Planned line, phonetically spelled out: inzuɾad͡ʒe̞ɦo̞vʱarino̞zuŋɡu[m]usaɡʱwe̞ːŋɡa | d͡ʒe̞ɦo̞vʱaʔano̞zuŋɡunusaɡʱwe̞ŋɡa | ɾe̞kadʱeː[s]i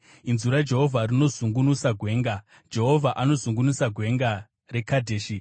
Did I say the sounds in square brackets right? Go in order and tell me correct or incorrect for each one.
incorrect, incorrect

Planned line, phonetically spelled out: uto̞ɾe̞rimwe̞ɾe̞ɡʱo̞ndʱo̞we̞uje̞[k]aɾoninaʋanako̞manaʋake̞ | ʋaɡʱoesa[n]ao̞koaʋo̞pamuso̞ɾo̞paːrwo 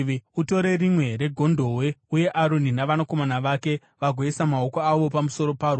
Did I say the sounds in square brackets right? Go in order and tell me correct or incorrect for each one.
incorrect, incorrect

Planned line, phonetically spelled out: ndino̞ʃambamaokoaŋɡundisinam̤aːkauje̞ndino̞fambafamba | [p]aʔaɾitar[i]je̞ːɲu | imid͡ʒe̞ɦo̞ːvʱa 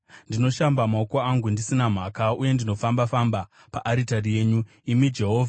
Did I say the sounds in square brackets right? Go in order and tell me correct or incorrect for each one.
correct, correct

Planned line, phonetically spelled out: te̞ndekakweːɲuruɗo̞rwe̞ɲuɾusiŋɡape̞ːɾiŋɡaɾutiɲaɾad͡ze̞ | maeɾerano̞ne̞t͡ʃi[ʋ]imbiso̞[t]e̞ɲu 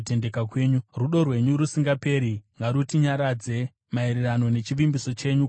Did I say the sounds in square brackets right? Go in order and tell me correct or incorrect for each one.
correct, incorrect

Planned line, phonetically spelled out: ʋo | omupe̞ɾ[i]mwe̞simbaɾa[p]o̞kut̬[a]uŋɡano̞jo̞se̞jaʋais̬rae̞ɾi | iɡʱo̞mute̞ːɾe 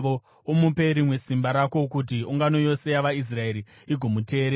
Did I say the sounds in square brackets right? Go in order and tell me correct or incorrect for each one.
correct, incorrect, incorrect

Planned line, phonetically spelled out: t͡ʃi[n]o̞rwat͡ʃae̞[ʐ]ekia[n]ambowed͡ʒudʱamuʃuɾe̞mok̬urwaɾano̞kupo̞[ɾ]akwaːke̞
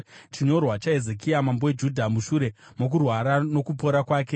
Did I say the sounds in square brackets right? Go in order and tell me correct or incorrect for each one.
incorrect, incorrect, incorrect, correct

